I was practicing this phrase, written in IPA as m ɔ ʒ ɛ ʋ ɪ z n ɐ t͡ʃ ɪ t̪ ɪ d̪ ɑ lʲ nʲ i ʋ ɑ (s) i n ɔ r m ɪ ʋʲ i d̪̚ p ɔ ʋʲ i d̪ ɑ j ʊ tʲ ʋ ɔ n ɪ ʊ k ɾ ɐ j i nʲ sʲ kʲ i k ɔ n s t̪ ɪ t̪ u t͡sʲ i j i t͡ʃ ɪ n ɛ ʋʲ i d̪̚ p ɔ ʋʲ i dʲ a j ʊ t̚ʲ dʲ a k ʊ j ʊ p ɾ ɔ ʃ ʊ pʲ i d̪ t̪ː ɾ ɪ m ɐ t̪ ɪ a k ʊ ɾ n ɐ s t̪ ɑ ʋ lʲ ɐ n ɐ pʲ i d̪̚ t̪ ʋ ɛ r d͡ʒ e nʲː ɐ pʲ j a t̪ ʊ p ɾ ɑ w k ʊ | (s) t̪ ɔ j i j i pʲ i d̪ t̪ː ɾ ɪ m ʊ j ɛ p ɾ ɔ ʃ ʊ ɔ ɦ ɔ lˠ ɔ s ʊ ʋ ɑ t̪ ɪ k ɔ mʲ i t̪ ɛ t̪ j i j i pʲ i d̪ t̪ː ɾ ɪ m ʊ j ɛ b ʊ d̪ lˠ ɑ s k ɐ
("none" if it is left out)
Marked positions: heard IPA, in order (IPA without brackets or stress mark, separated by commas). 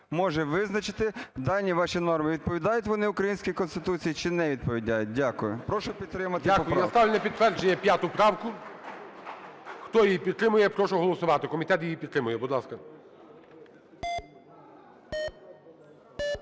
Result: ʃ, x